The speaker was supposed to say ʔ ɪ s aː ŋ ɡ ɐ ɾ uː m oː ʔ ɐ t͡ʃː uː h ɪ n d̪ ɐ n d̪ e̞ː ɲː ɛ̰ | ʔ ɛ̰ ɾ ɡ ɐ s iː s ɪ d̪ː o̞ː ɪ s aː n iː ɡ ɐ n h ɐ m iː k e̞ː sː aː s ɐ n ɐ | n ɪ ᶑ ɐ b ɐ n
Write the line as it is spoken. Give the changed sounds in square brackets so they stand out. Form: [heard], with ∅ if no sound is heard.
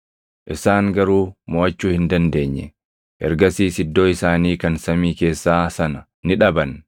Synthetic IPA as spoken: ʔ ɪ s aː ŋ ɡ ɐ ɾ uː m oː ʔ ɐ t͡ʃː uː h ɪ n d̪ ɐ n d̪ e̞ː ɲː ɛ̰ | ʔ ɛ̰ ɾ ɡ ɐ s iː s ɪ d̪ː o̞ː ɪ s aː n iː [k] ɐ n [s] ɐ m iː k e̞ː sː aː s ɐ n ɐ | n ɪ ᶑ ɐ b ɐ n